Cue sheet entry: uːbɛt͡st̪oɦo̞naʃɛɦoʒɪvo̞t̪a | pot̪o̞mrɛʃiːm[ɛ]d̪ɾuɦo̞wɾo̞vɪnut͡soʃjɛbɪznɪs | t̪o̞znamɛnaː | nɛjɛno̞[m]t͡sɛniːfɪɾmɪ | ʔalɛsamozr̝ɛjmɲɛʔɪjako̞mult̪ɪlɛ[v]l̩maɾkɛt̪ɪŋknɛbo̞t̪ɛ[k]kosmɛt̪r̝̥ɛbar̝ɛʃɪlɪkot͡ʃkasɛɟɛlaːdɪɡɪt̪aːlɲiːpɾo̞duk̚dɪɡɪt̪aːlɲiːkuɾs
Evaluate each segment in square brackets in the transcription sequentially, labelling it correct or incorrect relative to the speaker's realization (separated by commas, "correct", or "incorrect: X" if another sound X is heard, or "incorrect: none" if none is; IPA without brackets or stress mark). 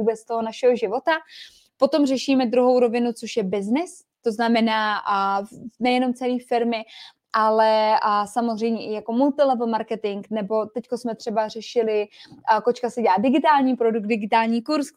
correct, correct, correct, incorrect: c